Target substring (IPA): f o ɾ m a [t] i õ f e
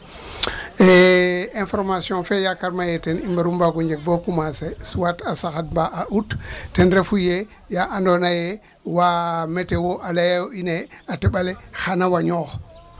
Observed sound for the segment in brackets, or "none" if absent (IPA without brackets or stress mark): s